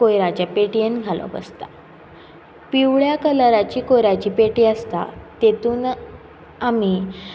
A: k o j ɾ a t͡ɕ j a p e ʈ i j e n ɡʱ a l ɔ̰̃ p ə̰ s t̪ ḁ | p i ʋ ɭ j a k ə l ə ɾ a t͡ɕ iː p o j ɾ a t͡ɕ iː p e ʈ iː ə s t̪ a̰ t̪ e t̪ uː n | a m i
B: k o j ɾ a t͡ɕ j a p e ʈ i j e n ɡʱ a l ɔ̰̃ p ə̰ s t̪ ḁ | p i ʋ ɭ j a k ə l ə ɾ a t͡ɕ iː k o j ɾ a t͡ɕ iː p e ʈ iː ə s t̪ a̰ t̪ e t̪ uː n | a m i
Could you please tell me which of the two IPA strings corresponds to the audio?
B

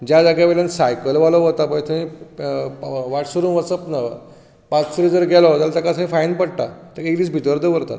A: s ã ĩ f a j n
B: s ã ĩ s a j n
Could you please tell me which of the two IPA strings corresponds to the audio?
A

